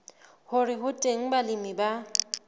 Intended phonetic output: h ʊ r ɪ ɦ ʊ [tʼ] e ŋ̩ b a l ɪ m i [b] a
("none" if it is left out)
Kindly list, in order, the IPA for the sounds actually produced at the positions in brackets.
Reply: tʼ, b

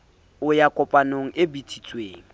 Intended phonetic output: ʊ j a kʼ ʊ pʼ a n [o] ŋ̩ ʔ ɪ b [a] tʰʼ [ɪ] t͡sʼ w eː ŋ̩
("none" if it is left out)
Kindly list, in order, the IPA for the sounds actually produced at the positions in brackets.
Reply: o, i, i

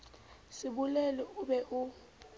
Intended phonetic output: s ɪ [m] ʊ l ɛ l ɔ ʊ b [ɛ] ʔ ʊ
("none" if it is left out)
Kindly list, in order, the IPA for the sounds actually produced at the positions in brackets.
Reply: b, ɛ

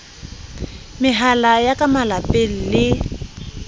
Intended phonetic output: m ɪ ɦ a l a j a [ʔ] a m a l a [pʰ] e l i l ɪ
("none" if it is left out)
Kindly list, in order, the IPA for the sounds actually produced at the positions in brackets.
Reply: k, p

